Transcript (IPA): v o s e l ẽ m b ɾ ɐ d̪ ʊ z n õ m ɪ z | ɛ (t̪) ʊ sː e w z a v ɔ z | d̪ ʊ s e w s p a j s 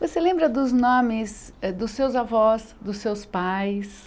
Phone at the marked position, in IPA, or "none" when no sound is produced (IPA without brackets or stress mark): d̪